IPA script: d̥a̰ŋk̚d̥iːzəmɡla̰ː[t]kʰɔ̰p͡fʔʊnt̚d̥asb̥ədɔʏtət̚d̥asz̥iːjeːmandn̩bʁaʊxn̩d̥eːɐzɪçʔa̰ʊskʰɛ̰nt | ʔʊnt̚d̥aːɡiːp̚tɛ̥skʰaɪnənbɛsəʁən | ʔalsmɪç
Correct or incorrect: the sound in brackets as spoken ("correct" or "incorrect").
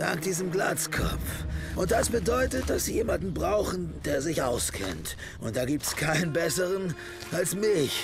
incorrect